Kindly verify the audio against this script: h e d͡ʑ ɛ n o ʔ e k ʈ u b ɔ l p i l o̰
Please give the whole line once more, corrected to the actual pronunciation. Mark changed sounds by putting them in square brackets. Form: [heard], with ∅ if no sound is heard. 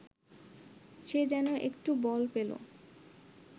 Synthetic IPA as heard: [ʃ] e d͡ʑ ɛ n o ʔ e k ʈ u b ɔ l p [e] l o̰